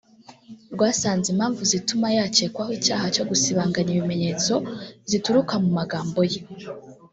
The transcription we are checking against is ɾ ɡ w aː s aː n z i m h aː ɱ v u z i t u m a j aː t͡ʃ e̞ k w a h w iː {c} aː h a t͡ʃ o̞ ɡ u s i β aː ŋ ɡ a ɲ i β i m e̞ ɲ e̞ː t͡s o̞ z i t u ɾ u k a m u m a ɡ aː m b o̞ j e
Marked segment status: correct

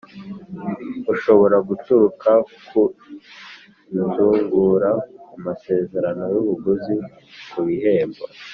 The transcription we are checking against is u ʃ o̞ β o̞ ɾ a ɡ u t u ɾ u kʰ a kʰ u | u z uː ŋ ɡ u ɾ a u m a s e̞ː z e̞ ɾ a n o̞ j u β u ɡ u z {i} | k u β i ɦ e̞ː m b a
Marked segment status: correct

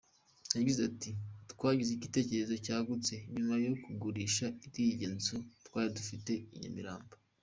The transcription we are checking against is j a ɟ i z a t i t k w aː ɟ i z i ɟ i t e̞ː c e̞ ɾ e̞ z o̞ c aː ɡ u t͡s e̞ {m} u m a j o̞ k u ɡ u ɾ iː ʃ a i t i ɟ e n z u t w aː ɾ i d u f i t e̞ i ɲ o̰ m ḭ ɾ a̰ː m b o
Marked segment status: incorrect: ɲ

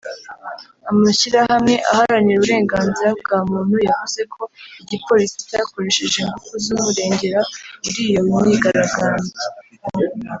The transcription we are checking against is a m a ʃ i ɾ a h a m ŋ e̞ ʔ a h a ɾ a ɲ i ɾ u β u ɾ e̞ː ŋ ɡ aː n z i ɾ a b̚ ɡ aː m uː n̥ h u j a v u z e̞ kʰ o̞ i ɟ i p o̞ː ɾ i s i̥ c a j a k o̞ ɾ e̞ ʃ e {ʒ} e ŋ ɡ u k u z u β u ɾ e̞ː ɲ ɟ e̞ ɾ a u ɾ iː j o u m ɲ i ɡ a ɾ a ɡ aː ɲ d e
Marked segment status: correct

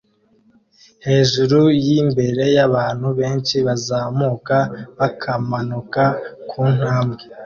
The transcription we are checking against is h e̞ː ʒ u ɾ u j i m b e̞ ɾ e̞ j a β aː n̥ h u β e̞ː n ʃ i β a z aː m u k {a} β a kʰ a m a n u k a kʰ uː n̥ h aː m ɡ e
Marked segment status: correct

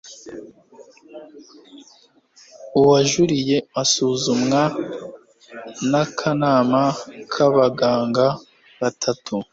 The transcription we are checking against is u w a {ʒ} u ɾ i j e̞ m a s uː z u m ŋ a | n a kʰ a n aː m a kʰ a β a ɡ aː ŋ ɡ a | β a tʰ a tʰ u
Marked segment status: correct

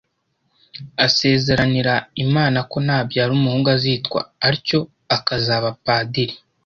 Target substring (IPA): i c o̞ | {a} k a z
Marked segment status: correct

